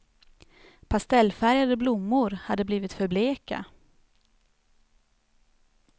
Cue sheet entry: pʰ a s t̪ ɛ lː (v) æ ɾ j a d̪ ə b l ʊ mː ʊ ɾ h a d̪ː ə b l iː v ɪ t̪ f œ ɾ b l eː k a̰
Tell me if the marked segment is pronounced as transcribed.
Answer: no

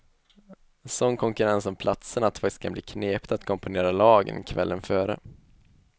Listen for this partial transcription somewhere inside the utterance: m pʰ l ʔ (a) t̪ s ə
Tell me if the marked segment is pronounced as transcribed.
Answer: yes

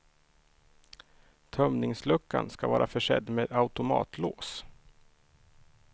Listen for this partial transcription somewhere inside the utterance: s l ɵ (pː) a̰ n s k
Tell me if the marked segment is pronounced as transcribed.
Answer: no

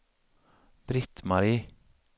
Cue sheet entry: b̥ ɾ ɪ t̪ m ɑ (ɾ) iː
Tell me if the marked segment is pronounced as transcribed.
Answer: yes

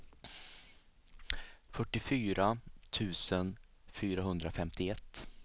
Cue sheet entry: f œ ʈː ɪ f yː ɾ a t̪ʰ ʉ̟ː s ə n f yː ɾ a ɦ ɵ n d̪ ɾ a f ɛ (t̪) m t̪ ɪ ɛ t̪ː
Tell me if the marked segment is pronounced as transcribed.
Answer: no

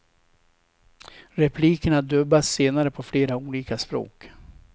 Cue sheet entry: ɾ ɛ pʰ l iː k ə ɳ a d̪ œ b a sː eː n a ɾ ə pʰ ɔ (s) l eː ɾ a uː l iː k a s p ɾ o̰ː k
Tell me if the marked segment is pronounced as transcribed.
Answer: no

